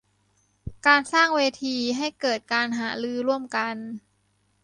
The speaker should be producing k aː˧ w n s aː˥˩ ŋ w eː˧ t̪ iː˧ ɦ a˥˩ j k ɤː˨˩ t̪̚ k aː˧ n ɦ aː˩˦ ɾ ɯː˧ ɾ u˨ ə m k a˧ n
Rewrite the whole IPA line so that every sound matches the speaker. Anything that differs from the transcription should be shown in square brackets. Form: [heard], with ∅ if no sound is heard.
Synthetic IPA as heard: k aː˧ [∅] n s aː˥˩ ŋ w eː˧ [t̪ʰ] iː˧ ɦ a˥˩ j k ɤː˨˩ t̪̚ k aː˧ n ɦ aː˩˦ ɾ ɯː˧ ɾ [u˥˩] ə m k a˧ n